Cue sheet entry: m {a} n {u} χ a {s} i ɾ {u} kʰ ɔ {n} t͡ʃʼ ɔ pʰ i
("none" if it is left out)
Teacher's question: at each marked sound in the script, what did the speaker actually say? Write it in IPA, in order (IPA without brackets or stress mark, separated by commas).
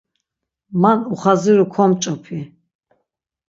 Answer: a, u, z, u, m